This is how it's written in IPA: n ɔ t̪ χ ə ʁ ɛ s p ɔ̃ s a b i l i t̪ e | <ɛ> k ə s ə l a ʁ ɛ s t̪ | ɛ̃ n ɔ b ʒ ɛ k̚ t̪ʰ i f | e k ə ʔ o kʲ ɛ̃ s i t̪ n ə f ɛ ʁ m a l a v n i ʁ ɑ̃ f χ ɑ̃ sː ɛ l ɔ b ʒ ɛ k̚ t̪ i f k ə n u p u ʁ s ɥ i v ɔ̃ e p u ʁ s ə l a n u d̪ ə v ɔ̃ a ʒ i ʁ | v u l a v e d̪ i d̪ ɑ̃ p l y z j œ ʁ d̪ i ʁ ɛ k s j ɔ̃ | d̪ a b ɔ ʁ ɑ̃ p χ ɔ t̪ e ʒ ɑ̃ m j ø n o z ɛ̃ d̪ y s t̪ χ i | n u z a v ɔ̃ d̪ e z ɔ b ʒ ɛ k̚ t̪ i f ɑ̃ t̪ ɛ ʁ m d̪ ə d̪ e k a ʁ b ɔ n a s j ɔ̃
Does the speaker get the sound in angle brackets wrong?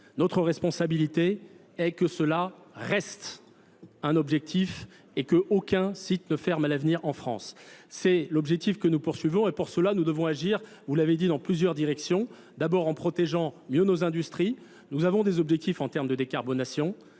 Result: no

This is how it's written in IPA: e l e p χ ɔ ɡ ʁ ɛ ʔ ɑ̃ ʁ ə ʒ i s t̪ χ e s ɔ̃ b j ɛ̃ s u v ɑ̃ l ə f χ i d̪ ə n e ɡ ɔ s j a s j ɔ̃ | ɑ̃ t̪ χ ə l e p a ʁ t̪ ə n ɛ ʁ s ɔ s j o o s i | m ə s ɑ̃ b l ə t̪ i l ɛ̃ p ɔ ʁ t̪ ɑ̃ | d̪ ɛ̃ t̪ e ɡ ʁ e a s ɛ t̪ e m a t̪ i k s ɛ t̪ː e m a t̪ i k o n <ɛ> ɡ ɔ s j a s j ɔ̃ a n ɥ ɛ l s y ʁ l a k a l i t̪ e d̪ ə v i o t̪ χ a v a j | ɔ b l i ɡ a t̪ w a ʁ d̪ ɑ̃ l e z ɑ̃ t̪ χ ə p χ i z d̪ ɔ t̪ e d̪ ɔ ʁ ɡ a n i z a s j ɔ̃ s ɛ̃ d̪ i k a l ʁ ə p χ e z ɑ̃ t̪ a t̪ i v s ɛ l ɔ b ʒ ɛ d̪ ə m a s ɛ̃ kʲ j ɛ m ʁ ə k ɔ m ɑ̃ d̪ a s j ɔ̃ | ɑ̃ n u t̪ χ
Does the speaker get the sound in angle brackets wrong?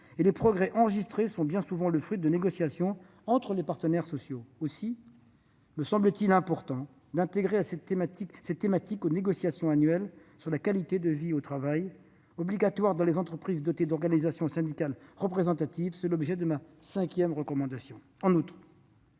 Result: yes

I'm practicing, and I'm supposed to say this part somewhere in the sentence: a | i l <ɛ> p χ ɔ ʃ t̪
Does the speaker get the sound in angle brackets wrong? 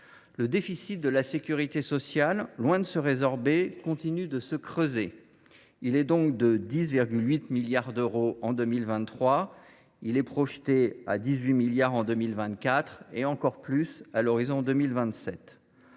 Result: no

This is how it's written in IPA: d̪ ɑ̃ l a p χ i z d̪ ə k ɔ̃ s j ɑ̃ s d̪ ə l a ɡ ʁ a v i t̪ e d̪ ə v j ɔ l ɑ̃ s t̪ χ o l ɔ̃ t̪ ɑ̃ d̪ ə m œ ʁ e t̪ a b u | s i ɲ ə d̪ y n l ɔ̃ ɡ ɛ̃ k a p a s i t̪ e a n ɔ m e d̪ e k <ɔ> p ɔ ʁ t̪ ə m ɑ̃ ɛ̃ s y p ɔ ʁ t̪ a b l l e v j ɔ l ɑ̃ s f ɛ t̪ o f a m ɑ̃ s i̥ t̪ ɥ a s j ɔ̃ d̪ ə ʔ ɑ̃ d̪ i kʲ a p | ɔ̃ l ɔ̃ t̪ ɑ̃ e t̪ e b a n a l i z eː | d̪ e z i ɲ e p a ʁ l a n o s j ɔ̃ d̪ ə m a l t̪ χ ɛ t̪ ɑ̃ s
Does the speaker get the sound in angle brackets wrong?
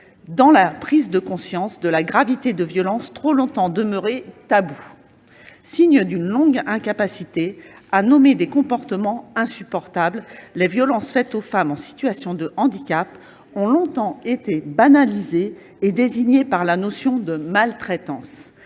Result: yes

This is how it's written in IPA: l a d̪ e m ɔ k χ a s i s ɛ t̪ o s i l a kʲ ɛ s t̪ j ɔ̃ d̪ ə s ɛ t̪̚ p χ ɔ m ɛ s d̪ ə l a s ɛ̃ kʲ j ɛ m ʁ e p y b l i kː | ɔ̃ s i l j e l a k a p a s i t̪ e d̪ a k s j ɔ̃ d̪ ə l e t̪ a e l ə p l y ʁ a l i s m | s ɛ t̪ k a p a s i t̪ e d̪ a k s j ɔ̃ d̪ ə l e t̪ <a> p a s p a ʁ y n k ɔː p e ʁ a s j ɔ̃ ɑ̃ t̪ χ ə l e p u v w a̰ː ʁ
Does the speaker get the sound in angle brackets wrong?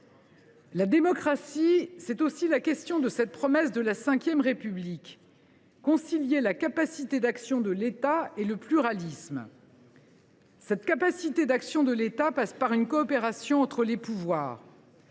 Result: no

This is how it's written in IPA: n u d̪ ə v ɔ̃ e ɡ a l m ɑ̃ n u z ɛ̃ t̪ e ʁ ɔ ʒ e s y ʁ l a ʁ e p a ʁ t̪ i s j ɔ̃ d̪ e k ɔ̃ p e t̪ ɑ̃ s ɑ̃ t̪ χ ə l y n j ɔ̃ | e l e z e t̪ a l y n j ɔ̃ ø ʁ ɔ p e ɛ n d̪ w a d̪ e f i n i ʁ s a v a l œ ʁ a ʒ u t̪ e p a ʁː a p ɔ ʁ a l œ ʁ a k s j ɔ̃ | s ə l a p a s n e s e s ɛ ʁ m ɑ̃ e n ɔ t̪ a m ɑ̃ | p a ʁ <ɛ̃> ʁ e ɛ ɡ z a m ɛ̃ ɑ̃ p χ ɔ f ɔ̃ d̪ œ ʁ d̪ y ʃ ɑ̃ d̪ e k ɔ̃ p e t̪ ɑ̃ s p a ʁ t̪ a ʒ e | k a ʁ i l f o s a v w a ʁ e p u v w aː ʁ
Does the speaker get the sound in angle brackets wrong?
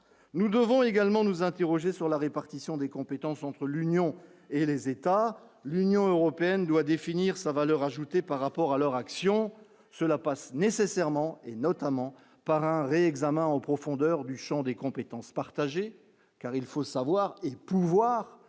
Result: no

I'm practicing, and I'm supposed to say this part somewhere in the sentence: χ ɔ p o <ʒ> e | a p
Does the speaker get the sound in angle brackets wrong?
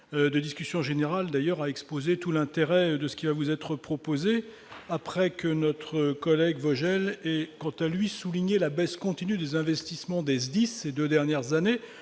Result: yes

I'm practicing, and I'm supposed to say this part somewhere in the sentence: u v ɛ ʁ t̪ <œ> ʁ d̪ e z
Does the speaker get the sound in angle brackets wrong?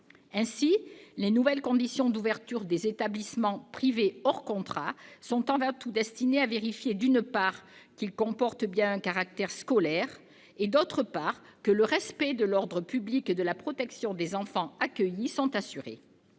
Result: yes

